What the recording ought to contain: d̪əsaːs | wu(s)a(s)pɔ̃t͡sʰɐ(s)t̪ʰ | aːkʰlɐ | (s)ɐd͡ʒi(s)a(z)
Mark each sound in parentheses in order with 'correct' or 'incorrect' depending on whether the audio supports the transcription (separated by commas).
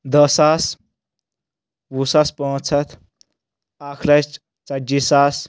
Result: correct, correct, incorrect, incorrect, correct, incorrect